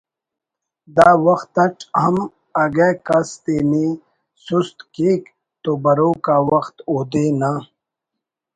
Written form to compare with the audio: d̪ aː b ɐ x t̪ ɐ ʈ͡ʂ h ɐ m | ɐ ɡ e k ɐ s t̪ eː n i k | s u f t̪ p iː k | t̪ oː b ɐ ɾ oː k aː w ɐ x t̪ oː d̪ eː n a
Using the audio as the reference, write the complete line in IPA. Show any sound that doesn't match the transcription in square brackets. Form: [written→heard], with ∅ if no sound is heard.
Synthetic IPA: d̪ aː [b→w] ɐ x t̪ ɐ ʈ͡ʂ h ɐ m | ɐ ɡ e k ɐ s t̪ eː n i [k→∅] | s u [f→s] t̪ [p→k] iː k | t̪ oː b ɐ ɾ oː k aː w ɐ x t̪ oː d̪ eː n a